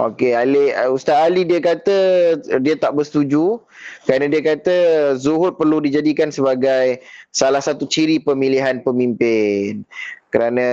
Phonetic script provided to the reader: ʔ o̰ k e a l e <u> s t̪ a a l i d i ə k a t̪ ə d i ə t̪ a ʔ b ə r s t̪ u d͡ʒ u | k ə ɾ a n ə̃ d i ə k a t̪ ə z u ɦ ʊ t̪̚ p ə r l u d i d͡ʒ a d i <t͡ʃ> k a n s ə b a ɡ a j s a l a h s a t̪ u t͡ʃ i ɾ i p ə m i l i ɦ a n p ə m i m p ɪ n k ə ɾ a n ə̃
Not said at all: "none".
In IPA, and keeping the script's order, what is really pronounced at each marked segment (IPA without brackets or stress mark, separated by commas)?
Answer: u, none